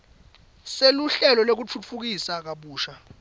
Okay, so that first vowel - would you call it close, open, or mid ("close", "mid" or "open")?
mid